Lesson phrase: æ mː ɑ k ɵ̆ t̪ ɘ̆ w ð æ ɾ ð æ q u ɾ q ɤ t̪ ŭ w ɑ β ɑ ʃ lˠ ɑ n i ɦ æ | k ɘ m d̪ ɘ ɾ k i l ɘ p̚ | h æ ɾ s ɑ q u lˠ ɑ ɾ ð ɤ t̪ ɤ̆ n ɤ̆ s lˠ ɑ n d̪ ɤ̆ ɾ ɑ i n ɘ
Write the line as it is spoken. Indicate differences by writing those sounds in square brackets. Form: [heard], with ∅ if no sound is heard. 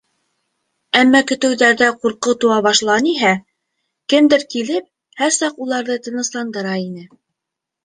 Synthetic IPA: æ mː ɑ k ɵ̆ t̪ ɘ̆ w ð æ ɾ ð æ q u ɾ q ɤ t̪ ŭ w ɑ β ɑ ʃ lˠ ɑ n i ɦ æ | k ɘ m d̪ ɘ ɾ k i l ɘ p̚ | h æ ɾ s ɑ q u lˠ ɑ ɾ ð ɤ t̪ ɤ̆ n ɤ̆ s lˠ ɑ n d̪ ɤ̆ ɾ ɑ i n ɘ